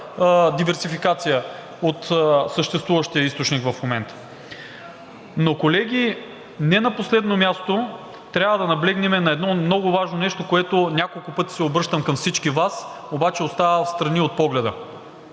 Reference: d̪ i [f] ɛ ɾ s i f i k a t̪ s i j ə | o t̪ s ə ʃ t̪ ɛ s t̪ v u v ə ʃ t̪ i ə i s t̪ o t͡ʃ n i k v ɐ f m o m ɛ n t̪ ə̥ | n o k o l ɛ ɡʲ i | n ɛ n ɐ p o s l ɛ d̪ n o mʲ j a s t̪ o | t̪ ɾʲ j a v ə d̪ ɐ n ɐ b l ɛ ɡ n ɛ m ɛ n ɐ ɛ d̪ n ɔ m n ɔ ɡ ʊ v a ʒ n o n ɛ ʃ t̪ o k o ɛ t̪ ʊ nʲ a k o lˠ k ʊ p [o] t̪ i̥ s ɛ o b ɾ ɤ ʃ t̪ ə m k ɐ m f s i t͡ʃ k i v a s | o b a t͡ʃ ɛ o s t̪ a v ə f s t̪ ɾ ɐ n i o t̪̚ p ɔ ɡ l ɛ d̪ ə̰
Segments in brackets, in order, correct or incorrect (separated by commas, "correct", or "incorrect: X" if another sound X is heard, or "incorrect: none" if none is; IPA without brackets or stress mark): incorrect: v, incorrect: ɤ